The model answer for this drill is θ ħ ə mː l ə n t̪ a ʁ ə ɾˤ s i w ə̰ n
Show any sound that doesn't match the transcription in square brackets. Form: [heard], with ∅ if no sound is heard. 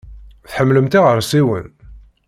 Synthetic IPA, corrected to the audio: θ ħ ə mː l ə [m] t̪ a ʁ ə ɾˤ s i w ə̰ n